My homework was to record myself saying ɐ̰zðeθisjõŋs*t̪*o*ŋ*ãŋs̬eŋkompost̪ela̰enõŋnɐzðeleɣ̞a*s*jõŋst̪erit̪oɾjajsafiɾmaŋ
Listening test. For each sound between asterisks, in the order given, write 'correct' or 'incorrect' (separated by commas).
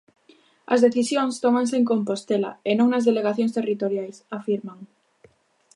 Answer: correct, incorrect, incorrect